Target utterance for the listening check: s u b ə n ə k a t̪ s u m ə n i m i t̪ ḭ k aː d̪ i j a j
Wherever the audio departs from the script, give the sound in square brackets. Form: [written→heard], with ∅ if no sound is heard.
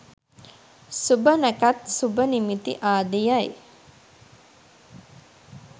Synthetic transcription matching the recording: s u b ə n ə k a t̪ s u [m→b] ə n i m i t̪ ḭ [k→ʔ] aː d̪ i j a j